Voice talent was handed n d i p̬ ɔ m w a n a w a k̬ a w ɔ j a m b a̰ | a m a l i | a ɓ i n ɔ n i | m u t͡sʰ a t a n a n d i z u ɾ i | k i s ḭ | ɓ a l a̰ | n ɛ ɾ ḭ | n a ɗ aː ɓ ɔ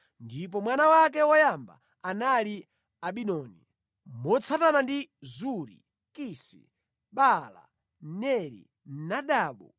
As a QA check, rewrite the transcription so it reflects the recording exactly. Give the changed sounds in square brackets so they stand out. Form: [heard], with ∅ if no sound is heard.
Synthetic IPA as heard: n d i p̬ ɔ m w a n a w a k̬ [ɛ] w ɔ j a m b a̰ | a [n] a l i | a ɓ i n ɔ n i | m [ɔ] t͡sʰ a t a n a n d i z u ɾ i | k i s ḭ | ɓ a l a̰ | n ɛ ɾ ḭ | n a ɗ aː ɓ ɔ